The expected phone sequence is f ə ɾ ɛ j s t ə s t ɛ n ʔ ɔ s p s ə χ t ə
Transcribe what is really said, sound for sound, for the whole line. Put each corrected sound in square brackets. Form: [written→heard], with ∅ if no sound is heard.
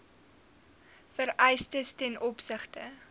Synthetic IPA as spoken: f ə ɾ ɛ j s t ə s t ɛ n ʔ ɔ [s→∅] p s ə χ t ə